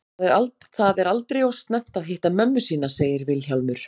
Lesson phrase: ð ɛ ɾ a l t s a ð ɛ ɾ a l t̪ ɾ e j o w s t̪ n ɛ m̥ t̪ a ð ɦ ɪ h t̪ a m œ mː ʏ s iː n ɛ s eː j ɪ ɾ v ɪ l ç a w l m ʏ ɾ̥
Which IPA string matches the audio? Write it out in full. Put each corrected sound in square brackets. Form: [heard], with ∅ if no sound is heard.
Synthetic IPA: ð ɛ ɾ a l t [θ] a ð ɛ ɾ a l t̪ ɾ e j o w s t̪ n ɛ m̥ t̪ a ð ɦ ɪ h t̪ a m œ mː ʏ s iː n [a] s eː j ɪ ɾ v ɪ l ç a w l m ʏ ɾ̥